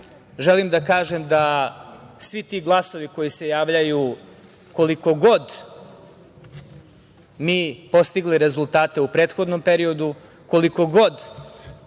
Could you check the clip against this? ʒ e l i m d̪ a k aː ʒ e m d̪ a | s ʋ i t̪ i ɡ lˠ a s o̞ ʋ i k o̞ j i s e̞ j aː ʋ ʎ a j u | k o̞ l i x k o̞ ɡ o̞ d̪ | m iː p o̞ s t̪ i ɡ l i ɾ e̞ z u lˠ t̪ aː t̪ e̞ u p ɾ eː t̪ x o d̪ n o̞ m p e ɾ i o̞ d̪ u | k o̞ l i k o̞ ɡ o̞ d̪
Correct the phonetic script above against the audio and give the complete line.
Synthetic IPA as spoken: ʒ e l i m d̪ a k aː ʒ e m d̪ a | s ʋ i t̪ i ɡ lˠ a s o̞ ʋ i k o̞ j i s e̞ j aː ʋ ʎ a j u | k o̞ l i k o̞ ɡ o̞ d̪ | m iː p o̞ s t̪ i ɡ l i ɾ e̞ z u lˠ t̪ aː t̪ e̞ u p ɾ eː t̪ x o d̪ n o̞ m p e ɾ i o̞ d̪ u | k o̞ l i k o̞ ɡ o̞ d̪